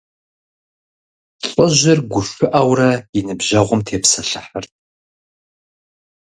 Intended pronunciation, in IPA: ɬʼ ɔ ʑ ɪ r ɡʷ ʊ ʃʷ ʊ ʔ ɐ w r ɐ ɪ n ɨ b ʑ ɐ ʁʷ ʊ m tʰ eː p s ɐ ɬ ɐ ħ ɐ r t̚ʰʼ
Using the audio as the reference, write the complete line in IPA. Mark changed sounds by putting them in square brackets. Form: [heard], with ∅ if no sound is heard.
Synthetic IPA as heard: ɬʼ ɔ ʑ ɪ r ɡʷ ʊ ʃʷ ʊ ʔ ɐ w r ɐ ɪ n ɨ b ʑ ɐ ʁʷ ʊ m tʰ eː p s ɐ ɬ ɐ ħ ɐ r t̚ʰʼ